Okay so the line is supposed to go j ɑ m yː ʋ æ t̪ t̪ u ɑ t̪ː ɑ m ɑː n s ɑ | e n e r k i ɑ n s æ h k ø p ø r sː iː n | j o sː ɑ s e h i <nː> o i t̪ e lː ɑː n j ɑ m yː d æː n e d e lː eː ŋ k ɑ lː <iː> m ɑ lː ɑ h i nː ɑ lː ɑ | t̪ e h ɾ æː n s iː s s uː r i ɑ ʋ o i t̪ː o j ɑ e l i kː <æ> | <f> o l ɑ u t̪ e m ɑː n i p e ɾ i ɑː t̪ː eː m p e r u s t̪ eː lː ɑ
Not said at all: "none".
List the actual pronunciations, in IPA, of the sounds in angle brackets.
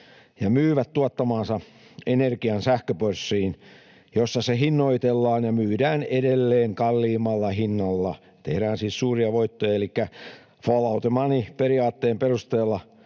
nː, iː, æ, f

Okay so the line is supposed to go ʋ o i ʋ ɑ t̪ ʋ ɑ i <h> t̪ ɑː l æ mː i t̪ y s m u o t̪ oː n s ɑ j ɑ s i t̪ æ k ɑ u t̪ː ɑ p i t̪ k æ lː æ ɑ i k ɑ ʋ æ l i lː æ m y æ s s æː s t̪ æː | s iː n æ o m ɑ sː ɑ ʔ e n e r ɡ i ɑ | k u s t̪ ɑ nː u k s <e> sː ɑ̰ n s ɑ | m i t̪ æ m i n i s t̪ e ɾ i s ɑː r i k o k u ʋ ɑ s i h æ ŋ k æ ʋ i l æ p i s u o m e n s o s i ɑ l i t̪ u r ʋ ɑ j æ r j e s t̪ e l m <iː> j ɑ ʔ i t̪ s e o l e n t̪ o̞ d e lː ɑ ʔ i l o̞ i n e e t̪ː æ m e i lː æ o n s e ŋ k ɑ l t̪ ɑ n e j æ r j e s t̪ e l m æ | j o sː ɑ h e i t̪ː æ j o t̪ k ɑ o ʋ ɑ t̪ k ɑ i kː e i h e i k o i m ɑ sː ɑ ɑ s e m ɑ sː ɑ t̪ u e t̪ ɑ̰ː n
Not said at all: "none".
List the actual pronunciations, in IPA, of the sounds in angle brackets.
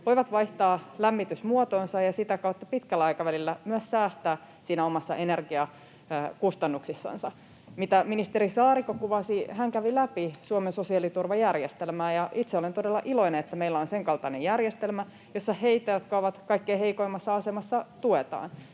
h, i, æː

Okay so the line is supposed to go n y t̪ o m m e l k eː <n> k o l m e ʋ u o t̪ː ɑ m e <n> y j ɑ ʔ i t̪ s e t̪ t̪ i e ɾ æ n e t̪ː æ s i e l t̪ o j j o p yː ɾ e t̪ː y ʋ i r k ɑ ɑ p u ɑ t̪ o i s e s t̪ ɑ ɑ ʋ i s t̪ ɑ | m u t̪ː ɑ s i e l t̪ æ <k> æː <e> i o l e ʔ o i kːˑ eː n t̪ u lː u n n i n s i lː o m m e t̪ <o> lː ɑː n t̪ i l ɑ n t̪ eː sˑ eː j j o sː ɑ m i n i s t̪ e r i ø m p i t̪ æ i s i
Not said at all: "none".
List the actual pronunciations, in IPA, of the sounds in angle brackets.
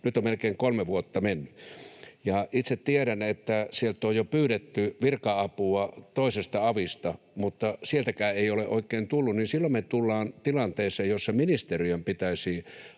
ŋ, nː, k, e, u

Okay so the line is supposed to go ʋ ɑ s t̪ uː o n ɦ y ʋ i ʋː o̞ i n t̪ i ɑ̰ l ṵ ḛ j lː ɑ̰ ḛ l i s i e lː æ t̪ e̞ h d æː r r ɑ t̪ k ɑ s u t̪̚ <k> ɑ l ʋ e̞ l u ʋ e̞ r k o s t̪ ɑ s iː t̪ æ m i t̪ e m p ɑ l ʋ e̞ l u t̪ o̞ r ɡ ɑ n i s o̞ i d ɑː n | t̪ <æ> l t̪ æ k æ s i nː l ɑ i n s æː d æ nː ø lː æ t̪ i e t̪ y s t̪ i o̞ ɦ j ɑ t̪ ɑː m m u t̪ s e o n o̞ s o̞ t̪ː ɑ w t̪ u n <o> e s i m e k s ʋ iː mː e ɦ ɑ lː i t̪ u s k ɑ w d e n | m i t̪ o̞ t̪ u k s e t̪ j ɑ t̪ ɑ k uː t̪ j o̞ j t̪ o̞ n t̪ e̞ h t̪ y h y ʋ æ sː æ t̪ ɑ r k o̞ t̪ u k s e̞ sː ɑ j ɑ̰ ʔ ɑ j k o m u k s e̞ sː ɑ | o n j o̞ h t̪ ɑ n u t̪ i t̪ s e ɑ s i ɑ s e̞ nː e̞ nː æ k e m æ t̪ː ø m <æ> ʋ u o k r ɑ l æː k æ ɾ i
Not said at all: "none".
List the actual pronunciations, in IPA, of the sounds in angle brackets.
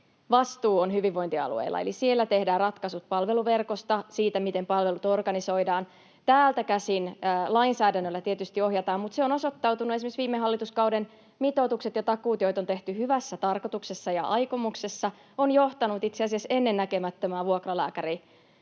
p, æː, u, æː

